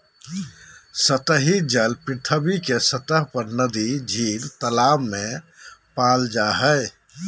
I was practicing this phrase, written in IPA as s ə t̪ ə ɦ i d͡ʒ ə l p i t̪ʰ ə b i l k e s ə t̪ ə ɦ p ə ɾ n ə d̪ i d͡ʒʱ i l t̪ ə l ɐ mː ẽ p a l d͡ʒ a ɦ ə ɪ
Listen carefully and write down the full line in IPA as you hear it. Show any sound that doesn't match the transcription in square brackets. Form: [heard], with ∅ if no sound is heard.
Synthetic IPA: s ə t̪ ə ɦ i d͡ʒ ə l p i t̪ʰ ə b i [∅] k e s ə t̪ ə ɦ p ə ɾ n ə d̪ i d͡ʒʱ i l t̪ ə l [a] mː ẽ p a l d͡ʒ a ɦ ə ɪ